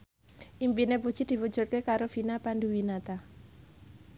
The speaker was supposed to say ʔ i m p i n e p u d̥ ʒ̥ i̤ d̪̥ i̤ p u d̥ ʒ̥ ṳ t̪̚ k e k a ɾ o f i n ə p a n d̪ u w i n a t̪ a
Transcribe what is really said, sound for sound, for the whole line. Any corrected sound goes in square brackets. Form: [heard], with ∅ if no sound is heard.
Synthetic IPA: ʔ i m p i n e p u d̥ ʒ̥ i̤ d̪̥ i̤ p u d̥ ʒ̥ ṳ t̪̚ k e k a ɾ o f i n [a] p a n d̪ u w i n a t̪ a